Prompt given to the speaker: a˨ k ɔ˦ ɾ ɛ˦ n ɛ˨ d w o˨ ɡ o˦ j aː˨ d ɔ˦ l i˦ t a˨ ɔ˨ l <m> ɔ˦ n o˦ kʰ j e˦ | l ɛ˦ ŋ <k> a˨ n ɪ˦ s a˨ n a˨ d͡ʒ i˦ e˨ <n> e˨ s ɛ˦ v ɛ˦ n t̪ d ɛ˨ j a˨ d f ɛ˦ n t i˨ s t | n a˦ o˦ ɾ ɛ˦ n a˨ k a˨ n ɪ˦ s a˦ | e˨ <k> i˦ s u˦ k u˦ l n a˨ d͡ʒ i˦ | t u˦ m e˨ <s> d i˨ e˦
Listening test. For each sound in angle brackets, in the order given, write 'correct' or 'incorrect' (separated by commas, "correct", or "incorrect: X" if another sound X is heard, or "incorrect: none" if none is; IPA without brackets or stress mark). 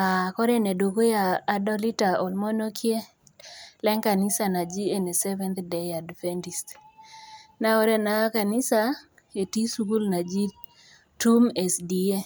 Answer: correct, correct, correct, incorrect: t, correct